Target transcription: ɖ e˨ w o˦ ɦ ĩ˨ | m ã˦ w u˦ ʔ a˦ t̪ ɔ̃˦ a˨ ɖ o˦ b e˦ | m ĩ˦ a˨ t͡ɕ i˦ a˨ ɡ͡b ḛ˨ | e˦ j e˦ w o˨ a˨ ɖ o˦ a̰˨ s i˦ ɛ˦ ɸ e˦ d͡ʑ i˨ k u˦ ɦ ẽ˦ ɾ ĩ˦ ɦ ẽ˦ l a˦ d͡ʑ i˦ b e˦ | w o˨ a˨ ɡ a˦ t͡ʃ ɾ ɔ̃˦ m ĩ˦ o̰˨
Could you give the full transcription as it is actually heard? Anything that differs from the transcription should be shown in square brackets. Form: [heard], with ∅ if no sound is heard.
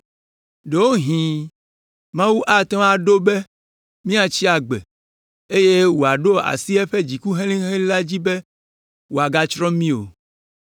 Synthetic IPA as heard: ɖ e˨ w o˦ ɦ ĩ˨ | m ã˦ w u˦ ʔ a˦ t̪ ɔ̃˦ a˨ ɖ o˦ b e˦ | m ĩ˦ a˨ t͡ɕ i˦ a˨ ɡ͡b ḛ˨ | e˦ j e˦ w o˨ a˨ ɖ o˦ a̰˨ s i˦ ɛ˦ ɸ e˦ d͡ʑ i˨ k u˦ ɦ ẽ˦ [l] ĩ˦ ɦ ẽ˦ l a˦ d͡ʑ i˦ b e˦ | w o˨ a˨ ɡ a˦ t͡ʃ ɾ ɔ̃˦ m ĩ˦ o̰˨